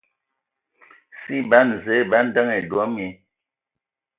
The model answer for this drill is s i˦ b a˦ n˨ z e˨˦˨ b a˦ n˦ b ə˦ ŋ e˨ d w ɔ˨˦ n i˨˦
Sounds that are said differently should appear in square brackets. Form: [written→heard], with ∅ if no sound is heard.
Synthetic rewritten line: s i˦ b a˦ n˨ z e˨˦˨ b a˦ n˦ [b→d] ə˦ ŋ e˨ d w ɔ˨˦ [n→m] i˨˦